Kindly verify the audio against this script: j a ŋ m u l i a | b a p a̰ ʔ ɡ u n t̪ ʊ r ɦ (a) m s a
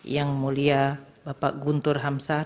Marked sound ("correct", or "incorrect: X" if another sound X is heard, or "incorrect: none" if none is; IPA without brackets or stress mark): correct